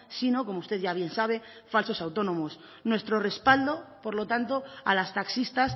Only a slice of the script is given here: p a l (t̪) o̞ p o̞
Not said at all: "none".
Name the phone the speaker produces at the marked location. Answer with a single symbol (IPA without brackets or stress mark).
d̪